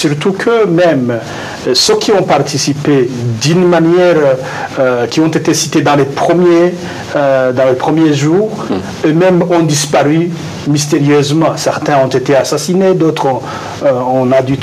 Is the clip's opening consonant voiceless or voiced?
voiceless